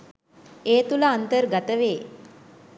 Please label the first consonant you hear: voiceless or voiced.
voiceless